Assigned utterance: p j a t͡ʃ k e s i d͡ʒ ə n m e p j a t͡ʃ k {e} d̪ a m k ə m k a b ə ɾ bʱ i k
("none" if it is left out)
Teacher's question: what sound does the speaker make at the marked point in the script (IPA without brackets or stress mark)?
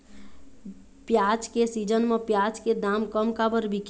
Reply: e